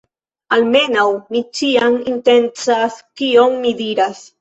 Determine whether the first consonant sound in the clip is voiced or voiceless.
voiced